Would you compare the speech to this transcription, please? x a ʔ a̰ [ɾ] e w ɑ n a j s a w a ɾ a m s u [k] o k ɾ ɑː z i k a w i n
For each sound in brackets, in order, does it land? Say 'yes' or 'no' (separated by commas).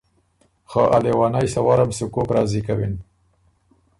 no, yes